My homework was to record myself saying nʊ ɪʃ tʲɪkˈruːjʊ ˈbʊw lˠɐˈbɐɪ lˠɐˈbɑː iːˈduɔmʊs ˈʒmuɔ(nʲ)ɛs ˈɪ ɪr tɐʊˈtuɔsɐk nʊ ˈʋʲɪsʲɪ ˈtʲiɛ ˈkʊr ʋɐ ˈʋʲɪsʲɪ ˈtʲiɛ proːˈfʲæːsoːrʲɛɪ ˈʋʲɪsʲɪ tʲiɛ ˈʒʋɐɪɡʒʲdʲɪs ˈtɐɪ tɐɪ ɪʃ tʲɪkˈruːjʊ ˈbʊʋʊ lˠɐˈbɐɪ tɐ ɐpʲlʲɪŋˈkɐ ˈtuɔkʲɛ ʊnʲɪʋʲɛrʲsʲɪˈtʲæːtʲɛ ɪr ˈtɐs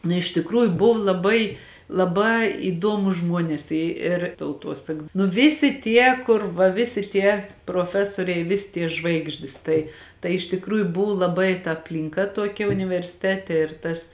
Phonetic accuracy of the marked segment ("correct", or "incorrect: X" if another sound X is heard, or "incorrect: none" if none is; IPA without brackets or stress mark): correct